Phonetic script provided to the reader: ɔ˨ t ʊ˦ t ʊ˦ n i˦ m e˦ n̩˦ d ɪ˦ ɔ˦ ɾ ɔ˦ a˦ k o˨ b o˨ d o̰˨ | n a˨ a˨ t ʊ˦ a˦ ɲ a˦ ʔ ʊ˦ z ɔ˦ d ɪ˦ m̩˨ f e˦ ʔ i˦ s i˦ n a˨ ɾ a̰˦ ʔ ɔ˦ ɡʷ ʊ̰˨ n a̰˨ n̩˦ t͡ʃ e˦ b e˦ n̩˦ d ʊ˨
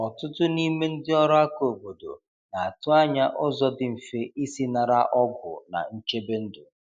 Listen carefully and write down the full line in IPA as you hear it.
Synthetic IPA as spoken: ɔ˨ t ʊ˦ t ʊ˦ n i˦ m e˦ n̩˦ d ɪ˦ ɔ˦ ɾ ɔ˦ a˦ k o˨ b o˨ d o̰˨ | n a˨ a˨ t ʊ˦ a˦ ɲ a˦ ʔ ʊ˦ z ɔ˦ d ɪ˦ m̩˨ f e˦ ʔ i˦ s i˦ n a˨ ɾ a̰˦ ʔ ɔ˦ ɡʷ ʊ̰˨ n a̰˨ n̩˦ t͡ʃ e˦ b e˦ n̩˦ d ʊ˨